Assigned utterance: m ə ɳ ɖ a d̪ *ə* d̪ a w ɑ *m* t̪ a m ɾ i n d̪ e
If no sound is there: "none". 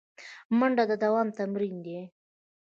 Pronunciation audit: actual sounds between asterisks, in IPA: ə, m

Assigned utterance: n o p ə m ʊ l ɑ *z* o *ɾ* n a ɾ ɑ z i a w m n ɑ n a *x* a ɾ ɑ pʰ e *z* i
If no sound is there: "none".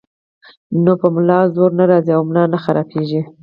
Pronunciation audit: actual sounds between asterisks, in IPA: z, ɾ, x, ʒ

